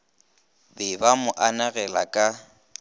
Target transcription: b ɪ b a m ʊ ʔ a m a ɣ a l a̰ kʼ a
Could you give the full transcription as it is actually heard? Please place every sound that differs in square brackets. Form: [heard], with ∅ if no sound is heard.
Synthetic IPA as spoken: b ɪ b a m ʊ ʔ a [n] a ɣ [ɛ] l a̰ kʼ a

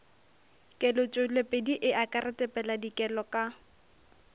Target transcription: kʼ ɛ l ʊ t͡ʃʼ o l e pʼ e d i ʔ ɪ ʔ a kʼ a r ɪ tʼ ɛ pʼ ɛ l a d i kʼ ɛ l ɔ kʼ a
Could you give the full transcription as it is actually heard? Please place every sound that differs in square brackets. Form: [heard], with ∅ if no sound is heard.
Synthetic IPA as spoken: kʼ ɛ l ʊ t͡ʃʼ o l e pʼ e d i ʔ ɪ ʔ a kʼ a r ɪ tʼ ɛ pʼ ɛ l a d i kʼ ɛ l ɔ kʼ a

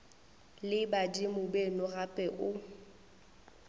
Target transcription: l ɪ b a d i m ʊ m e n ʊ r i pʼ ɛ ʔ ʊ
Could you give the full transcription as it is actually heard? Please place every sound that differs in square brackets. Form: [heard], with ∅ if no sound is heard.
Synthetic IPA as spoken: l ɪ b a d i m ʊ [b] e n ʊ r [a] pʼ ɛ ʔ ʊ

